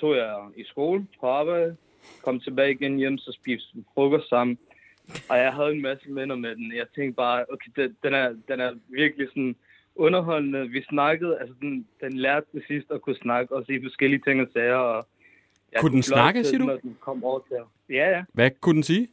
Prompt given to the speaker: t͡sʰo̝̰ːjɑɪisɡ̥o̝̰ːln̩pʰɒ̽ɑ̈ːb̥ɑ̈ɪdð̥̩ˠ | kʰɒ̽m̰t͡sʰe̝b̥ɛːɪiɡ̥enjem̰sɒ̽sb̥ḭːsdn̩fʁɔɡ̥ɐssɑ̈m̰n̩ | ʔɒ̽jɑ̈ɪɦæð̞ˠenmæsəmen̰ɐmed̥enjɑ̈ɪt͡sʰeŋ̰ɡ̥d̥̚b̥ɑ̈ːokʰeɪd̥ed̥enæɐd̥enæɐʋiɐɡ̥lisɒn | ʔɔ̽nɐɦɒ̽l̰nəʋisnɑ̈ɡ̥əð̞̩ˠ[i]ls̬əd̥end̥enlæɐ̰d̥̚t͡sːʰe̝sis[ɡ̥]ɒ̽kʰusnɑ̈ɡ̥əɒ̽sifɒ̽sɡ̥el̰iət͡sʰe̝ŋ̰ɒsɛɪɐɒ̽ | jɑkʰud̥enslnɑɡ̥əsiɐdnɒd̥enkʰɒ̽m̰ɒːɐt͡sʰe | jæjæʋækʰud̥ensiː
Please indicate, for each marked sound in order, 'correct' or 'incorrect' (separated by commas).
incorrect, incorrect